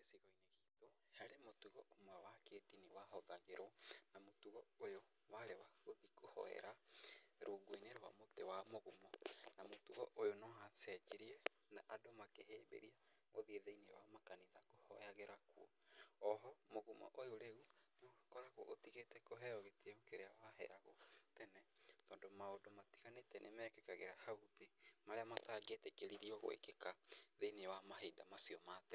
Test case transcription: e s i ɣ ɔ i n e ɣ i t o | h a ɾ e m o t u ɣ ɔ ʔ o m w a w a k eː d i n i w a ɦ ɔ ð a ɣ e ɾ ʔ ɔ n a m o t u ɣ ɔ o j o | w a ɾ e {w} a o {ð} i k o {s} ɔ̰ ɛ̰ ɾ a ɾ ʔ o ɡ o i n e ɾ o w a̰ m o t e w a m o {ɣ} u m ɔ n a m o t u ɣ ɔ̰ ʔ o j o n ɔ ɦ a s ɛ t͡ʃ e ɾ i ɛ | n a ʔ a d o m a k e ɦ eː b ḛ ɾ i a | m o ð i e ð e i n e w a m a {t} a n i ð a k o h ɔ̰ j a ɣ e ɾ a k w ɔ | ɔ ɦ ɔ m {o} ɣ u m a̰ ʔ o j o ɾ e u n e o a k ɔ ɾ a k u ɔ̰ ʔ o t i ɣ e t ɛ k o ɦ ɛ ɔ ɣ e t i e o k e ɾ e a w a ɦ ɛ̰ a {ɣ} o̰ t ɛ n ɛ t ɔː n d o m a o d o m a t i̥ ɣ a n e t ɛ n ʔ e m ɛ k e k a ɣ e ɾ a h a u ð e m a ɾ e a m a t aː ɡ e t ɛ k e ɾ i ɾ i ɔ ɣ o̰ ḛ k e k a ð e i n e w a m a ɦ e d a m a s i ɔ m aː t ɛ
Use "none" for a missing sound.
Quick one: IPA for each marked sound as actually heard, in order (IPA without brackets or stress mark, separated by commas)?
w, ð, h, ɣ, k, o, ɣ